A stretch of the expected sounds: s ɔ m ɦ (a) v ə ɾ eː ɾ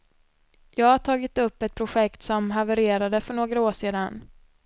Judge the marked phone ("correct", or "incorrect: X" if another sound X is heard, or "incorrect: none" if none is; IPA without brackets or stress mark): correct